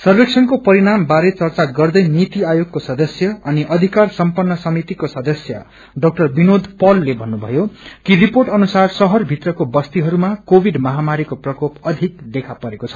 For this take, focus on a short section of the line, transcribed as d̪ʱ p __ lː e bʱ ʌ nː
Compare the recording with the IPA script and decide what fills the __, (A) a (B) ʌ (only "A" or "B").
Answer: B